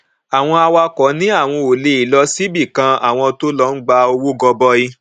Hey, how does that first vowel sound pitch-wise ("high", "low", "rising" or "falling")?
low